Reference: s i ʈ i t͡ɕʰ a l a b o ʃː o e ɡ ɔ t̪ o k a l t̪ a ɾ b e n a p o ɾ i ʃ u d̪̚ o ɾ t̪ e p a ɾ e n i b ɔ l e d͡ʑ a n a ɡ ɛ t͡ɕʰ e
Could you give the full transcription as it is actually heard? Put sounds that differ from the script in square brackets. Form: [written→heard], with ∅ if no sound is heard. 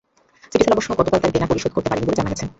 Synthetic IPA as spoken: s i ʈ i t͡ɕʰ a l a b o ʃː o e ɡ ɔ t̪ o k a l t̪ a ɾ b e n a p o ɾ i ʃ [u→o] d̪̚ o ɾ t̪ e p a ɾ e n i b [ɔ→o] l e d͡ʑ a n a ɡ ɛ t͡ɕʰ e